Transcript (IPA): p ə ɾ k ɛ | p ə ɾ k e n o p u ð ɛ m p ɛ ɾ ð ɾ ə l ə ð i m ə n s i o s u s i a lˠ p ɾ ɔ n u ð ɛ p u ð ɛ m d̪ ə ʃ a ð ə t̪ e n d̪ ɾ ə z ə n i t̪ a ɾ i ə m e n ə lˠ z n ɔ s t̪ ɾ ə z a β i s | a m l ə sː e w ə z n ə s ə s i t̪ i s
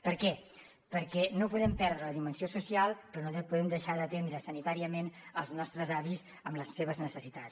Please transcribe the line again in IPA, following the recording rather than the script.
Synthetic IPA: p ə ɾ k ɛ | p ə ɾ k ɛ n o p u ð ɛ m p ɛ ɾ ð ɾ ə l ə ð i m ə n s i o s u s i a lˠ p ɾ ɔ n o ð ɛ p u ð ɛ m d̪ ə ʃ a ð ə t̪ e n d̪ ɾ ə s ə n i t̪ a ɾ i ə m e n ə lˠ z n ɔ s t̪ ɾ ə z a β i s | ə m l ə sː e β ə z n ə s ə s i t̪ a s